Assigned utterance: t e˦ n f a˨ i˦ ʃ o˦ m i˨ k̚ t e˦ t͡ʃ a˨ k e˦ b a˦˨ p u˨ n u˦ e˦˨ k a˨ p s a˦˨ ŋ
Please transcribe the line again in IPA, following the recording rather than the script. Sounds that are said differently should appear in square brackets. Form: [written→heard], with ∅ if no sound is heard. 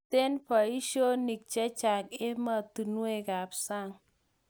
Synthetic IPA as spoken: t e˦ n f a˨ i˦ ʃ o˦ [m→n] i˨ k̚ [t→t͡ʃ] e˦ t͡ʃ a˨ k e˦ [b→m] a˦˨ [p→t] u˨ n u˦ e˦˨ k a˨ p s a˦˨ ŋ